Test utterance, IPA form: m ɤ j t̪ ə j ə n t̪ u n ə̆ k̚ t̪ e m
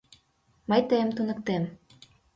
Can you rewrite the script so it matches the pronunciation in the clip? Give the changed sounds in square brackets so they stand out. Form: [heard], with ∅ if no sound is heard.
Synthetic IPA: m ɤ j t̪ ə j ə [m] t̪ u n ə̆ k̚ t̪ e m